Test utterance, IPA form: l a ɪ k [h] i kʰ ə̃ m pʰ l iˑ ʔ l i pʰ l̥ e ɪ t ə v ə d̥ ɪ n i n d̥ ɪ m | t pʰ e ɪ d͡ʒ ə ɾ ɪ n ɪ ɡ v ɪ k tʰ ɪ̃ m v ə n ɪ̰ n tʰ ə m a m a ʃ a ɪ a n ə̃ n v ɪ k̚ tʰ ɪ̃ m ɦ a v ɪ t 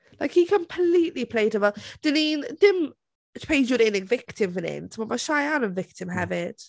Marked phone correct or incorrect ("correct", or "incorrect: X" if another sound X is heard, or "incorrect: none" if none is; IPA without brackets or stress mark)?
correct